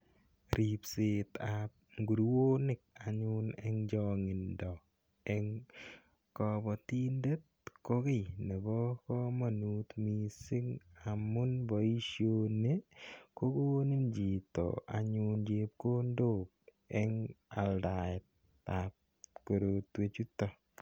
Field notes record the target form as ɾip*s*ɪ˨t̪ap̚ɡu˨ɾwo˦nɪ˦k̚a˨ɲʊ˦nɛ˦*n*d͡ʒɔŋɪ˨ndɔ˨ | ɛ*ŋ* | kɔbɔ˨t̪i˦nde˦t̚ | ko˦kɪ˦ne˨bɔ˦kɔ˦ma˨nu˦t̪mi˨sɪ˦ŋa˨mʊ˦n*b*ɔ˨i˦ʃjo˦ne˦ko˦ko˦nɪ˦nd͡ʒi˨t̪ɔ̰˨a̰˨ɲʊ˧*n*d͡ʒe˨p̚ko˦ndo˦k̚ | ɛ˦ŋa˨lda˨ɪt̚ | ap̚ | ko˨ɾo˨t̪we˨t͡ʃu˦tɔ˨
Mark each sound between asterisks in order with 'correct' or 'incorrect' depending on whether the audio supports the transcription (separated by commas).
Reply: correct, incorrect, correct, correct, correct